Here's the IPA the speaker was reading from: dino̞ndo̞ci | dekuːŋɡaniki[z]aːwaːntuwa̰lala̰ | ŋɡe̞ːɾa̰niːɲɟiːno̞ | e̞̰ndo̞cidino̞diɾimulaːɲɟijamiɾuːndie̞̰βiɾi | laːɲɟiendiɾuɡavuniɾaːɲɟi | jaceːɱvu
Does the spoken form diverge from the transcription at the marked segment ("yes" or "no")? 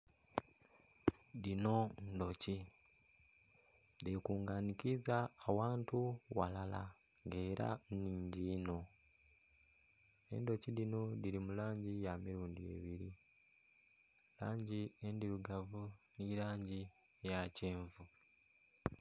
no